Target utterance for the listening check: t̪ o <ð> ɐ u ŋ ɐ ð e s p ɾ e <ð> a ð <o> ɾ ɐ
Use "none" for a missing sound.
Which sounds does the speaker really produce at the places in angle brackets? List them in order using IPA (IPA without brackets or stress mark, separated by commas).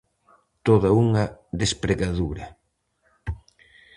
ð, ɣ, u